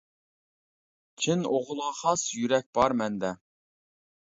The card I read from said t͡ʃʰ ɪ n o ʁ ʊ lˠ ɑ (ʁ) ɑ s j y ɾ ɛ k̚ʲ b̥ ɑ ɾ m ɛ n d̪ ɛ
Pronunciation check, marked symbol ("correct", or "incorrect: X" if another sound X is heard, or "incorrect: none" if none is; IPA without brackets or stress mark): incorrect: χ